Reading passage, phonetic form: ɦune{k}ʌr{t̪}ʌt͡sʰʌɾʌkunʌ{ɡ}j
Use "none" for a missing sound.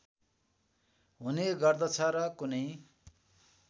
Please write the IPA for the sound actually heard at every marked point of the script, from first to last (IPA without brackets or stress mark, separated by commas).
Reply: ɡ, d̪, none